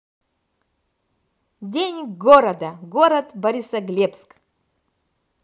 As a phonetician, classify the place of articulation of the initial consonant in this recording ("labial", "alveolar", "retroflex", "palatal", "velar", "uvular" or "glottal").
alveolar